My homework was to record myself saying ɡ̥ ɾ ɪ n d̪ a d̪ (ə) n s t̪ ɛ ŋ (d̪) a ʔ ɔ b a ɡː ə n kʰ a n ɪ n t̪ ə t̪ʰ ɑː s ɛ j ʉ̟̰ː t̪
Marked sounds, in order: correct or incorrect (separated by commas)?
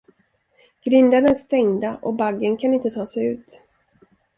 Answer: correct, correct